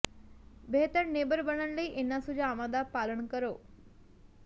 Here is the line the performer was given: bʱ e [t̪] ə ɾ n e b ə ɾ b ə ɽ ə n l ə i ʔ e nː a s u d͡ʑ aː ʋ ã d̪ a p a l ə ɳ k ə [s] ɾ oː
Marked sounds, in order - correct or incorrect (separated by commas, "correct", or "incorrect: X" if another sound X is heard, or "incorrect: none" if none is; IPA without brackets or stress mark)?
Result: correct, incorrect: none